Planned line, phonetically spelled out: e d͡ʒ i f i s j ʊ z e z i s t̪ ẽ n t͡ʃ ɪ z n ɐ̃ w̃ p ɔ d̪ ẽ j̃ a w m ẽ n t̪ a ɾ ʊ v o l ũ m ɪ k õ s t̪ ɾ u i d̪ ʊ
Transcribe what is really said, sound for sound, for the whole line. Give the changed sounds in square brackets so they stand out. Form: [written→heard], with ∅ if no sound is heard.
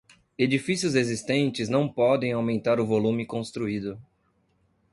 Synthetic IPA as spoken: e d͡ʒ i f i s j ʊ z e z i s t̪ ẽ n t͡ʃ ɪ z n ɐ̃ w̃ p ɔ d̪ ẽ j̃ a w m ẽ n t̪ a ɾ ʊ v o l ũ m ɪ k õ s t̪ ɾ u i d̪ ʊ